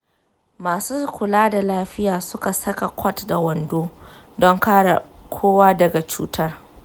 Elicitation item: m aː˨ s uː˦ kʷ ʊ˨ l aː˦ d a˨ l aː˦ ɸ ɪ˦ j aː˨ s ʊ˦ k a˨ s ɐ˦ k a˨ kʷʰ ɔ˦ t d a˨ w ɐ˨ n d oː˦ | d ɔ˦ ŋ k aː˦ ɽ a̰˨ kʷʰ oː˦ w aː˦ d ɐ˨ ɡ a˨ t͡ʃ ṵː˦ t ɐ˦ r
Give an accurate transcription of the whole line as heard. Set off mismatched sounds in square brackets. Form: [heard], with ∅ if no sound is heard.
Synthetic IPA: m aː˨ s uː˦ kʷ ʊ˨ l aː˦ d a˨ l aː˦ ɸ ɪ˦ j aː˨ s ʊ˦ k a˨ s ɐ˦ k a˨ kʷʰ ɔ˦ t d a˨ w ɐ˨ n d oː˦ | d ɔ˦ ŋ k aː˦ ɽ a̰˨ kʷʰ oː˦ w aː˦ d ɐ˨ ɡ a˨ t͡ʃ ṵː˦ t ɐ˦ r